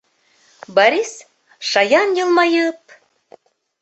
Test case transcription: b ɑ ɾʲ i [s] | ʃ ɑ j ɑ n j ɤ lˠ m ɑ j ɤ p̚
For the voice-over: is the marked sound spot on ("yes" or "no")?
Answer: yes